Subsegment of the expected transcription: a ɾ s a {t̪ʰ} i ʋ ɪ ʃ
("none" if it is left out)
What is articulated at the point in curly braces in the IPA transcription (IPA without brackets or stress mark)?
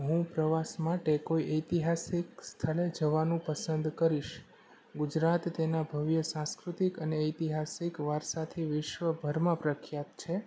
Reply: t̪ʰ